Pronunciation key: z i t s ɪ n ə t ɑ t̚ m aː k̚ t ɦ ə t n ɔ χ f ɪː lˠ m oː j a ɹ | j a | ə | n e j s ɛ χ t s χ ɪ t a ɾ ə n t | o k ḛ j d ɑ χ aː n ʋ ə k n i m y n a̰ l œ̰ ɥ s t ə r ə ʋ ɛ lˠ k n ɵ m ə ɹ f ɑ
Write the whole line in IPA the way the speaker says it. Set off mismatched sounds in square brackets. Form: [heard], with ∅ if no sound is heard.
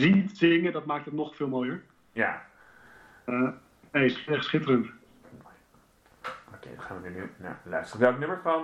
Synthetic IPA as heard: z i t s ɪ [ŋ] ə [d] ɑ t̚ m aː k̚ t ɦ ə t n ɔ χ f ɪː lˠ m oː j [ə] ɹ | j a | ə | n e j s ɛ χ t s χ ɪ t [ə] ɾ ə n t | o k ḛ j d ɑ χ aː n ʋ ə [∅] n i [n] y n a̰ l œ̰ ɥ s t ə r ə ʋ ɛ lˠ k n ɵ m ə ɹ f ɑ